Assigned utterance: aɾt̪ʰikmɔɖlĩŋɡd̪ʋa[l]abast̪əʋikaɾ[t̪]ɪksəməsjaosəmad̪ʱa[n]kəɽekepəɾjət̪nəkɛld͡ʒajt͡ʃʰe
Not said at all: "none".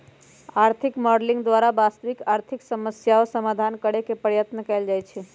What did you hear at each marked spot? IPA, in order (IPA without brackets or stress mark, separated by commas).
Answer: ɾ, t̪ʰ, n